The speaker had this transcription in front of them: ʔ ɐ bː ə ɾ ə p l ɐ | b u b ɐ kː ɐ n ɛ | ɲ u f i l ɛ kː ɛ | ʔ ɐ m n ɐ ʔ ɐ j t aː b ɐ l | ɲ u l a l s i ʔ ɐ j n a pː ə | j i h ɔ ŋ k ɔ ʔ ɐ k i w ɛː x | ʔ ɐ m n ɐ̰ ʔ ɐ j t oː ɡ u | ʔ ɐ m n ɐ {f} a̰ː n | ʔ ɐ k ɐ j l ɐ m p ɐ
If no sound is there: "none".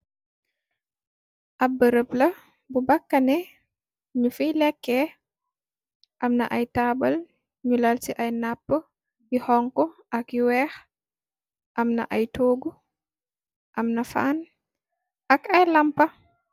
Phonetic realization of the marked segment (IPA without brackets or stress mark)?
f